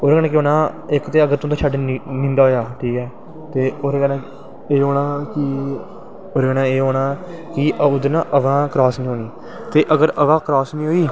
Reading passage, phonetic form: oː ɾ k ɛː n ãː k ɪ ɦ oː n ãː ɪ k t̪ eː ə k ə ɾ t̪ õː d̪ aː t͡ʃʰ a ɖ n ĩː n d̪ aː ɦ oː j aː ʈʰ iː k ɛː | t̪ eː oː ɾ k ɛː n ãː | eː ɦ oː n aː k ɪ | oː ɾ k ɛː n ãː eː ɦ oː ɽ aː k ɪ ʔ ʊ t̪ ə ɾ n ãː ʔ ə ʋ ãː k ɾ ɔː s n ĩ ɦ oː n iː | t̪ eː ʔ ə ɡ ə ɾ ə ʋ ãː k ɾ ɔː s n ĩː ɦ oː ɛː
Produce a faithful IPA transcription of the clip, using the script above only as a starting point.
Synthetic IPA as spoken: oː ɾ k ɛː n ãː k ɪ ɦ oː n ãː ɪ k t̪ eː ə ɡ ə ɾ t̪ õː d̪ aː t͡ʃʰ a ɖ n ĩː n d̪ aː ɦ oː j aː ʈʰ iː k ɛː | t̪ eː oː ɾ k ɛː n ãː | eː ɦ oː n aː k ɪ | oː ɾ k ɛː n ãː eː ɦ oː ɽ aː k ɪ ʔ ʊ d̪ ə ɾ n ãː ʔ ə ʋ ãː k ɾ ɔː s n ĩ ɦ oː n iː | t̪ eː ʔ ə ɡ ə ɾ ə ʋ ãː k ɾ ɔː s n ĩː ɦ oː iː